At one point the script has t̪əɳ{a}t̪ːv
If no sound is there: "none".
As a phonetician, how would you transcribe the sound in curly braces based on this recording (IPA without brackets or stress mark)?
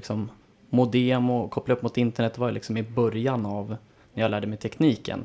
ɛ